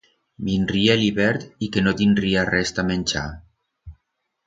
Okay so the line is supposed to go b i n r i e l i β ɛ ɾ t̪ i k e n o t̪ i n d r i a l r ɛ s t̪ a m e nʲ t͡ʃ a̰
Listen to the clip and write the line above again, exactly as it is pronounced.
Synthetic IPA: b i n r i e l i β ɛ ɾ t̪ i k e n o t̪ i n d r i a r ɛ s t̪ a m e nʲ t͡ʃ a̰